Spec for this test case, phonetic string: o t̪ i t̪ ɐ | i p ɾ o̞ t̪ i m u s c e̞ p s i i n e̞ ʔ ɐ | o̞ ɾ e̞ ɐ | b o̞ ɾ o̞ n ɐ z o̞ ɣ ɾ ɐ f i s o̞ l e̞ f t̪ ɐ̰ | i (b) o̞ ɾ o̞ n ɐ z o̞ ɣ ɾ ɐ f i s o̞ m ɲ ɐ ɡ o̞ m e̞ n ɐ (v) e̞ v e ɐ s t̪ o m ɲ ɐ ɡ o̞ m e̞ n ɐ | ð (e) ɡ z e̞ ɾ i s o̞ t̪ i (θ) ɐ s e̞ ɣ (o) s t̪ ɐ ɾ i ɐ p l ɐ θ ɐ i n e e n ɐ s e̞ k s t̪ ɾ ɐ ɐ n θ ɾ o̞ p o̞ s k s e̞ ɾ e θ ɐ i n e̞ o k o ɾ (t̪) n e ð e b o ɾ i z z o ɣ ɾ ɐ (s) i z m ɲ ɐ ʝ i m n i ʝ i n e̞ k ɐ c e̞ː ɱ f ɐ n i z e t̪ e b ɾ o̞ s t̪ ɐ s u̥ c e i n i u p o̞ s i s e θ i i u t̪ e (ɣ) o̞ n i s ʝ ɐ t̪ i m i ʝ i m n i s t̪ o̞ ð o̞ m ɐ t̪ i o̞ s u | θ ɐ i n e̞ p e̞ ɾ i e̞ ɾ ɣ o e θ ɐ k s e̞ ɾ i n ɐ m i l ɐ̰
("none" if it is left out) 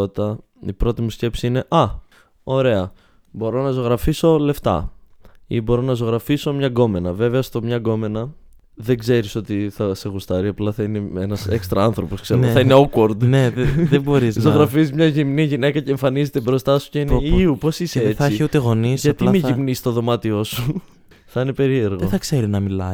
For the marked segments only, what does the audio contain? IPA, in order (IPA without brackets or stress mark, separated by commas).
b, v, e, θ, u, d̪, f, ɣ